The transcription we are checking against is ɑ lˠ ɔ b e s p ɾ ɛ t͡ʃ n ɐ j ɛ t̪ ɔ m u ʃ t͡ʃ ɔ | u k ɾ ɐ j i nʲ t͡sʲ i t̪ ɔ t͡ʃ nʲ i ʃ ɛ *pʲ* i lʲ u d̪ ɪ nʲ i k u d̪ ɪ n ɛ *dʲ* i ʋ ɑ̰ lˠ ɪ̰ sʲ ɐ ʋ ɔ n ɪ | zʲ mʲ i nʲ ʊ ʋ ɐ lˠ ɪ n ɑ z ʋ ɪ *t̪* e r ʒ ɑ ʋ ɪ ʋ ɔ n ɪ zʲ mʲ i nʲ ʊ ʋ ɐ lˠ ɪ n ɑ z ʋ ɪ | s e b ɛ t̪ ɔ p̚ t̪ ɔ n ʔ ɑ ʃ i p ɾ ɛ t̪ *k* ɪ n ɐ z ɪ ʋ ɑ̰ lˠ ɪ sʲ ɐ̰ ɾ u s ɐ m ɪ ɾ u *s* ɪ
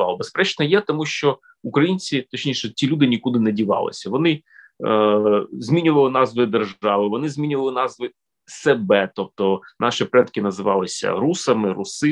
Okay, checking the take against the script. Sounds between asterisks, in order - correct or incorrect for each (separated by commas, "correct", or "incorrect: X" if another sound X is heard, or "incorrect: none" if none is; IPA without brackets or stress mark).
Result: incorrect: tʲ, correct, incorrect: d̪, correct, correct